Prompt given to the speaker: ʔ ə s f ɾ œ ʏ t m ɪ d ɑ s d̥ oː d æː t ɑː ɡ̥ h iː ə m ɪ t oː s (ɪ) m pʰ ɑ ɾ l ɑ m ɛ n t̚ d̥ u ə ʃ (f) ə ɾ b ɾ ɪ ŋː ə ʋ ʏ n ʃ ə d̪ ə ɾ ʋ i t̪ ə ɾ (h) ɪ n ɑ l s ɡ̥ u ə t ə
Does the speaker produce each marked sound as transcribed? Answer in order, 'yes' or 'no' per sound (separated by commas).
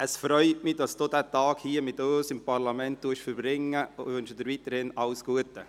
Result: yes, yes, yes